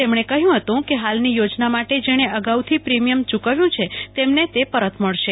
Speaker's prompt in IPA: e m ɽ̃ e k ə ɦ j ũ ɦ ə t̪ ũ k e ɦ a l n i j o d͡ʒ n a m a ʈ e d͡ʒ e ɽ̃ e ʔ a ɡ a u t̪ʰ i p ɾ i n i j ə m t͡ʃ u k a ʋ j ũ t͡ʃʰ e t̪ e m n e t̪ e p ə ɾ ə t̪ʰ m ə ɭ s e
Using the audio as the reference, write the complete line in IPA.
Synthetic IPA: e m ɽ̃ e k ə ɦ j ũ ɦ ə t̪ ũ k e ɦ a l n i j o d͡ʒ n a m a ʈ e d͡ʒ e ɽ̃ e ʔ ə ɡ a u t̪ʰ i p ɾ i m i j ə m t͡ʃ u k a ʋ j ũ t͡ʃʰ e t̪ e m n e t̪ e p ə ɾ ə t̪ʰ m ə ɭ ʃ e